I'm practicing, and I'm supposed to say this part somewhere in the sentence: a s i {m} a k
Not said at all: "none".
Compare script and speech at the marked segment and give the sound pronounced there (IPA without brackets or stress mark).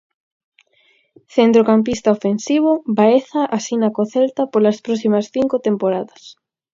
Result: n